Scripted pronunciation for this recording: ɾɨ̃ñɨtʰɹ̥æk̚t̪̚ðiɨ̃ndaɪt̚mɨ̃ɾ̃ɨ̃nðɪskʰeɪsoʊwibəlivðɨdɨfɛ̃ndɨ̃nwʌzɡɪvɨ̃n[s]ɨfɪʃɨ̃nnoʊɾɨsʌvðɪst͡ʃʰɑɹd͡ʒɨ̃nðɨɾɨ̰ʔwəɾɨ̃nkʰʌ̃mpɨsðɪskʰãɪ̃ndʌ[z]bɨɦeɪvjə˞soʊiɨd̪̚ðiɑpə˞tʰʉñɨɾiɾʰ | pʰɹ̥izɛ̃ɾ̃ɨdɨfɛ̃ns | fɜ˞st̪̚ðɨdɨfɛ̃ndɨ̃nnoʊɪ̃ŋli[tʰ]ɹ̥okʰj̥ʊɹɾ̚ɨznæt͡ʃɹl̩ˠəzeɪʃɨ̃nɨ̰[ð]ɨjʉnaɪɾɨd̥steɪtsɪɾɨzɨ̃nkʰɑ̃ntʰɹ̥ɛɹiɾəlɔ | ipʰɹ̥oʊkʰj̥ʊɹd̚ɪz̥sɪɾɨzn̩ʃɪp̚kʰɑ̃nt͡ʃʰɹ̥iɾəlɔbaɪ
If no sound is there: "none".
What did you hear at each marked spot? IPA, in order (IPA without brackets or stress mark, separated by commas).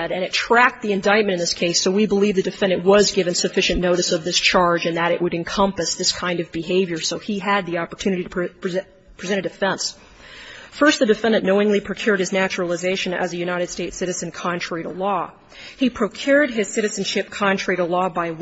s, v, pʰ, z